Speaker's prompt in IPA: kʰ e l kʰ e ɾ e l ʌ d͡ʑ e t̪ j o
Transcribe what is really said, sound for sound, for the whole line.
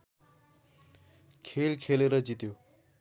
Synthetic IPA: kʰ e l kʰ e l e ɾ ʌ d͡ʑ i t̪ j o